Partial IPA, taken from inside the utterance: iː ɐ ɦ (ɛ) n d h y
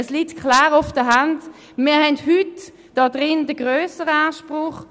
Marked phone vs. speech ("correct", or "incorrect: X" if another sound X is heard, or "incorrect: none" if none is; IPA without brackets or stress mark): correct